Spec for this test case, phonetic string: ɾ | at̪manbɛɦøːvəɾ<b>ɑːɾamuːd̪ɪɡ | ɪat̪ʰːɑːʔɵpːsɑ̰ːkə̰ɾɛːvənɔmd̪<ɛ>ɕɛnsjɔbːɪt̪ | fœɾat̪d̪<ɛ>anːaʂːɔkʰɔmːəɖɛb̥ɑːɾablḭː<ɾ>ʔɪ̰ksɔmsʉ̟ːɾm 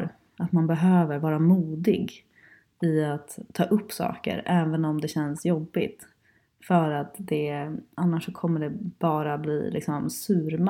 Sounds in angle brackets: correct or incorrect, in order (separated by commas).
incorrect, correct, correct, incorrect